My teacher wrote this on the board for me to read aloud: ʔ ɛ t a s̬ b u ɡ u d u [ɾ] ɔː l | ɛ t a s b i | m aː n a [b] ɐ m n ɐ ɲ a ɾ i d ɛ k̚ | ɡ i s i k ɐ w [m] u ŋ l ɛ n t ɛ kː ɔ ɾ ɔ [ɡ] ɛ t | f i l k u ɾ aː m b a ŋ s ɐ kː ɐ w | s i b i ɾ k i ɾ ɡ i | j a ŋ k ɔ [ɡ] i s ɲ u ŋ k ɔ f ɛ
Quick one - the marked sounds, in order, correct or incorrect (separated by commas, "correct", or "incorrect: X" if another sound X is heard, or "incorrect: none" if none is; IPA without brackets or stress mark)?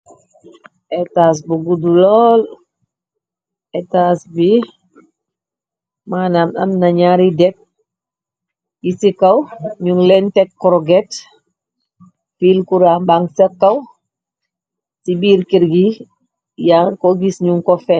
incorrect: l, incorrect: m, incorrect: ɲ, correct, correct